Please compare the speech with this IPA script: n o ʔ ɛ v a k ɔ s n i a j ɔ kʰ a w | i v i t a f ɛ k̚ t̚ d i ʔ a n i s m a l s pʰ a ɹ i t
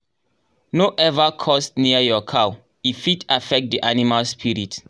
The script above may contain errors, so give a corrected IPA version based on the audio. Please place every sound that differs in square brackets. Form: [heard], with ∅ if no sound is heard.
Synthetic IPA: n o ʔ ɛ v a [kʰ] ɔ s n i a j ɔ kʰ a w | i [f] i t a f ɛ k̚ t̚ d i ʔ a n i [∅] m a l s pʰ [i] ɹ i t